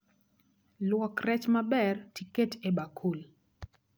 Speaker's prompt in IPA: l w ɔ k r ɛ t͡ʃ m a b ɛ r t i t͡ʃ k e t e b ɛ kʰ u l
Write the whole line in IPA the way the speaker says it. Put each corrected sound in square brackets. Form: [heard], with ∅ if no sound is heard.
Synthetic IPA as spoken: l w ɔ k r ɛ t͡ʃ m a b ɛ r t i [∅] k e t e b [a] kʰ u l